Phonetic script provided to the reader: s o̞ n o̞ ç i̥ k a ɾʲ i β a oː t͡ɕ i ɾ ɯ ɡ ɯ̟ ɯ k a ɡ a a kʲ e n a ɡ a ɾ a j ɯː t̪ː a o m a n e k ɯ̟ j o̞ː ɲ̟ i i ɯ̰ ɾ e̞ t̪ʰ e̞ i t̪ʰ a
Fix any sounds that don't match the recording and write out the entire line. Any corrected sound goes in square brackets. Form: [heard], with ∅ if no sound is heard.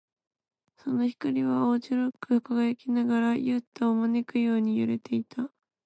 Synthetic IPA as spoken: s o̞ n o̞ ç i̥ k a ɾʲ i β a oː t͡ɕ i ɾ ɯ [k] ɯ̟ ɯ k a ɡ a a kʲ [i] n a ɡ a ɾ a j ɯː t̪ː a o m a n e k ɯ̟ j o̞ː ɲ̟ i [j] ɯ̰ ɾ e̞ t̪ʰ e̞ i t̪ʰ a